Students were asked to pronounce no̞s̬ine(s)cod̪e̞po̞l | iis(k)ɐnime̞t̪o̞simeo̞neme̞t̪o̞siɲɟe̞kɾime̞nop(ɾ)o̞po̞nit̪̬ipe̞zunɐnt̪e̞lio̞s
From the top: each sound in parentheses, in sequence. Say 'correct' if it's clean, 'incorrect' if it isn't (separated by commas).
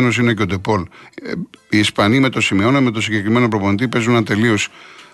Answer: incorrect, incorrect, correct